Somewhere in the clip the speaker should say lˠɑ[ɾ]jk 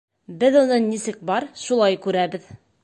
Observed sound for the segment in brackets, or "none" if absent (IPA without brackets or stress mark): none